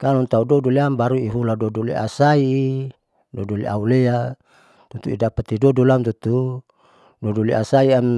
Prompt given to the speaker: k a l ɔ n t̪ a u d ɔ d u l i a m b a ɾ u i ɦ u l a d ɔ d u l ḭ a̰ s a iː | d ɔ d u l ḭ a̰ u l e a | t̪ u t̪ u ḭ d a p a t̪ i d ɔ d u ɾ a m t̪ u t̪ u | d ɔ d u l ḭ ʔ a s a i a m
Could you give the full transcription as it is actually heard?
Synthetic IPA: k a l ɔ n t̪ a u d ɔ d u l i a m b a ɾ u i ɦ u l a d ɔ d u l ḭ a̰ s a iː | d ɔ d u l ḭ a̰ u l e a | t̪ u t̪ u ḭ d a p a t̪ i d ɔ d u l a m t̪ u t̪ u | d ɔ d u l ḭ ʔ a s a i a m

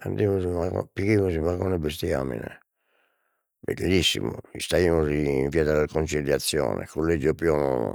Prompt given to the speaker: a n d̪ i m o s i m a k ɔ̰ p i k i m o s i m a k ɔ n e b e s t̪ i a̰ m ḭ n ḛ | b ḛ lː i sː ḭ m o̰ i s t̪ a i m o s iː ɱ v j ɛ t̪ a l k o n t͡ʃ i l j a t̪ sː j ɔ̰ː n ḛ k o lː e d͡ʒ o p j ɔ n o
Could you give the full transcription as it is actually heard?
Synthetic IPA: a n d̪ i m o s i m a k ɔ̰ p i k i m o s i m a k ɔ n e b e s t̪ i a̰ m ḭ n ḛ | b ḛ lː i sː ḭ m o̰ i s t̪ a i m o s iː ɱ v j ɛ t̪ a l k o n t͡ʃ i l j a t̪ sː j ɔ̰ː n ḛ k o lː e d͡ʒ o p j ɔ n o

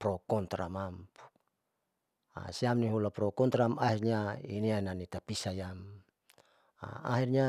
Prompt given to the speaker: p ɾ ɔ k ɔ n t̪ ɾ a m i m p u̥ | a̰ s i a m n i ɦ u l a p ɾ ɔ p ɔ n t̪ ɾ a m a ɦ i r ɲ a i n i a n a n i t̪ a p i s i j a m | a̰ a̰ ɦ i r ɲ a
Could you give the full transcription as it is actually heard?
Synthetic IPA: p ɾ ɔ k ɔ n t̪ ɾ a m a m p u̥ | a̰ s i a m n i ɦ u l a p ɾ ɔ k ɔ n t̪ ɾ a m a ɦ i r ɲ a i n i a n a n i t̪ a p i s a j a m | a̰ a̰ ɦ i r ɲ a

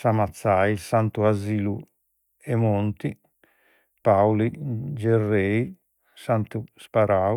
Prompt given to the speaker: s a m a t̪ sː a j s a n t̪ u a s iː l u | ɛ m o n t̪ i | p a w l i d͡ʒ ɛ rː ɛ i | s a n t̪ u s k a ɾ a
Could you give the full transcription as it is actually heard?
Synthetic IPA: s a m a t̪ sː a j s a n t̪ u a z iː l u | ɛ m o n t̪ i | p a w l i d͡ʒ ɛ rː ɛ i | s a n t̪ u s p a ɾ a

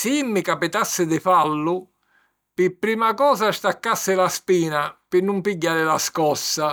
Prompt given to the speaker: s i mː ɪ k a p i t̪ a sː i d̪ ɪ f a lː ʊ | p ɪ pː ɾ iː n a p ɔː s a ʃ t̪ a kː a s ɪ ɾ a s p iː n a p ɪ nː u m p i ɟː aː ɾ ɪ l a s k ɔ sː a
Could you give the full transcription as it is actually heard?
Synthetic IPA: s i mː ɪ k a p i t̪ a sː ɪ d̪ ɪ f a lː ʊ | p ɪ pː ɾ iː m a k ɔː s a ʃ t̪ a kː a sː ɪ l a s p iː n a p ɪ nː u m p i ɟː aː ɾ ɪ l a s k ɔ sː a

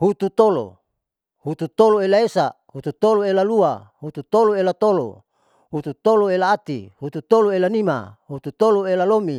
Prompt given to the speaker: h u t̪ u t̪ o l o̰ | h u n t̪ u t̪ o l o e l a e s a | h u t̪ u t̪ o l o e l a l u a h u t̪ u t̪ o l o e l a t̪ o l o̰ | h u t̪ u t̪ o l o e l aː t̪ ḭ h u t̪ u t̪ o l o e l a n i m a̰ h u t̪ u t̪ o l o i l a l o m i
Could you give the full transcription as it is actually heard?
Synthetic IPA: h u t̪ u t̪ o l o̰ | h u t̪ u t̪ o l o e l a e s a | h u t̪ u t̪ o l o e l a l u a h u t̪ u t̪ o l o e l a t̪ o l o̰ | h u t̪ u t̪ o l o e l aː t̪ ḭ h u t̪ u t̪ o l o e l a n i m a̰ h u t̪ u t̪ o l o e l a l o m i

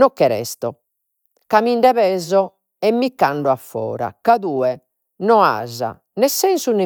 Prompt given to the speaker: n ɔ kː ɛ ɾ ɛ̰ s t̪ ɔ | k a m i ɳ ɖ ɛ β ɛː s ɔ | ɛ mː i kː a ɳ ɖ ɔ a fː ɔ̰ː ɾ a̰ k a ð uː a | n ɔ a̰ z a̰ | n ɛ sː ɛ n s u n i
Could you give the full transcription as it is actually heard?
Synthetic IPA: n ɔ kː ɛ ɾ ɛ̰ s t̪ ɔ | k a m i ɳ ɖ ɛ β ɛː z ɔ | ɛ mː i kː a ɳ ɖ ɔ a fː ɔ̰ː ɾ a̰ k a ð uː ɛ | n ɔ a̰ z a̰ | n ɛ sː ɛ n s u n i

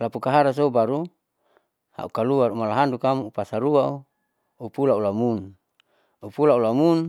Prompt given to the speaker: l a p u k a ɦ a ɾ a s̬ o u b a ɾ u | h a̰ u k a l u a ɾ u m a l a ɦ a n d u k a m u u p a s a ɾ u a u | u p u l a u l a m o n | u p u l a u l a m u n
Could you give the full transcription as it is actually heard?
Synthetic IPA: l a p u k a ɦ a ɾ a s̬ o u b a ɾ u | h a̰ u k a l u a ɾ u m a l a ɦ a n d u k a m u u p a s a ɾ u a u | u p u l a u l a m u n | u p u l a u l a m u n

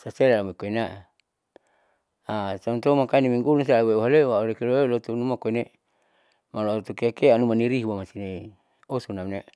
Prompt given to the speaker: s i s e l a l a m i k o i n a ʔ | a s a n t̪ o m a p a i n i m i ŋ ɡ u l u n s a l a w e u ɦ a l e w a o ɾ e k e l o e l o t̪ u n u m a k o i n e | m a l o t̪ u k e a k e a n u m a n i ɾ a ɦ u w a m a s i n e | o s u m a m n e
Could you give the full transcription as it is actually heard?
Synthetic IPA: s a s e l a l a m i k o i n a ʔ | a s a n t̪ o m a k a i n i m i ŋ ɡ u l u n s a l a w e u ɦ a l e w a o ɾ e k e l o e l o t̪ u n u m a k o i n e | m a l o t̪ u k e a k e a n u m a n i ɾ i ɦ u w a m a s i n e | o s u n a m n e

